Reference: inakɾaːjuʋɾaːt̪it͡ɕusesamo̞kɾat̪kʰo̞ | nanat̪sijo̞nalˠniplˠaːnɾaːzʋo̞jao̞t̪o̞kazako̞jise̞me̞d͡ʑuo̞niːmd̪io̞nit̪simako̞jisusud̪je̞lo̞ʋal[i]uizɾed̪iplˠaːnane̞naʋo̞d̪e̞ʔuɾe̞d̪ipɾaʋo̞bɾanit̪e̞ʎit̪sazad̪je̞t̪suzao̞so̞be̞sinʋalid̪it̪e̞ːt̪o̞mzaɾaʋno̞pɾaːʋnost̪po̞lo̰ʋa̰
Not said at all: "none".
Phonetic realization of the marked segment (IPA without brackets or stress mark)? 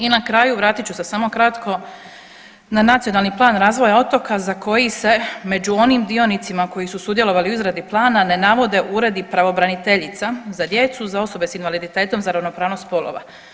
i